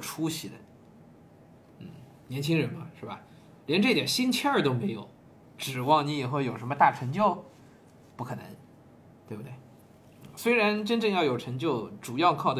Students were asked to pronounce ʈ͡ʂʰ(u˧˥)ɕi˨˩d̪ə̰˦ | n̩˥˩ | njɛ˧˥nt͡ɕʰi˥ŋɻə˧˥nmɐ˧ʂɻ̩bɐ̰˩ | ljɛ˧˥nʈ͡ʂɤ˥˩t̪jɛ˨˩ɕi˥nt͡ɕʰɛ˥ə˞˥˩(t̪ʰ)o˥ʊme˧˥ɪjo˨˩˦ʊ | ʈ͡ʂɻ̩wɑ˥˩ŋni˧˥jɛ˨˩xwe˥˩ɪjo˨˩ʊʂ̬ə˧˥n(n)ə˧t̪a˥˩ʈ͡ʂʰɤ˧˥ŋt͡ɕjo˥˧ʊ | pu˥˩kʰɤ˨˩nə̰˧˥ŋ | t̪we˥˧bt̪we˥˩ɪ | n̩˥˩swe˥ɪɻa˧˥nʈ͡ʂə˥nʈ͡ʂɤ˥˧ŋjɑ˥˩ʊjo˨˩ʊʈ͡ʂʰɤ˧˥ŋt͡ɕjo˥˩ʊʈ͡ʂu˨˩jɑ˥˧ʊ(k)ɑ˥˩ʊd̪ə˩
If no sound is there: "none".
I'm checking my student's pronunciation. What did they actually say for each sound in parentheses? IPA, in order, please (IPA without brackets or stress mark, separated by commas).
u˥, t̪, m, kʰ